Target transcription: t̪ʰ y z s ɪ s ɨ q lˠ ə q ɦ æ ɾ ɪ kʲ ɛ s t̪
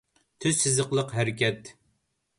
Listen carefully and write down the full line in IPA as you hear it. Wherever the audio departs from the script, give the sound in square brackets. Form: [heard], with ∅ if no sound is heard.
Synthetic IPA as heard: t̪ʰ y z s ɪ [z] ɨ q lˠ ə q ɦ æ ɾ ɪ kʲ ɛ [∅] t̪